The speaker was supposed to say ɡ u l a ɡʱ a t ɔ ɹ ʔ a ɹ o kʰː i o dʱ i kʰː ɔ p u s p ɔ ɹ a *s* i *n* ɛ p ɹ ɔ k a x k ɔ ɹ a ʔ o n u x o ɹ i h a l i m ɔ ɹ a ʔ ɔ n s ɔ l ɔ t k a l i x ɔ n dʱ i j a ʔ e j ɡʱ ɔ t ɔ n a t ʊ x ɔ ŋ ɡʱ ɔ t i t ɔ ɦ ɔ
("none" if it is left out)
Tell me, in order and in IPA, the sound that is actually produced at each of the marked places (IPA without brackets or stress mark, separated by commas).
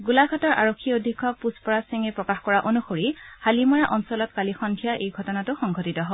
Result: s, ŋ